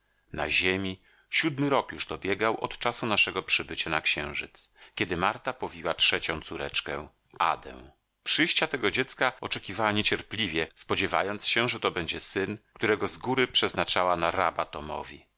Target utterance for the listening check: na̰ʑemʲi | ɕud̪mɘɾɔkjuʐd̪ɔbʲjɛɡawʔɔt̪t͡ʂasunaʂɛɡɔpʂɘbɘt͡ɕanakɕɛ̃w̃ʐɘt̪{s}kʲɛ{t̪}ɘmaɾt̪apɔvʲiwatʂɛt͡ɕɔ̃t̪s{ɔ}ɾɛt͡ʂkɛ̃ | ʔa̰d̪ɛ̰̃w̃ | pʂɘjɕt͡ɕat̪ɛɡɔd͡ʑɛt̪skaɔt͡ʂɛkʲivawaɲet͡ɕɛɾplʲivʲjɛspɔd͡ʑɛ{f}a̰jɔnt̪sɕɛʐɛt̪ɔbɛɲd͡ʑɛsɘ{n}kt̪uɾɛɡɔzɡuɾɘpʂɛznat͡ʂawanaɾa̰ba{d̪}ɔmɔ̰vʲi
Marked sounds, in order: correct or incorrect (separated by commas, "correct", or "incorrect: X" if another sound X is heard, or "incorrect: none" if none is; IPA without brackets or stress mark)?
correct, incorrect: d̪, incorrect: u, incorrect: v, correct, incorrect: t̪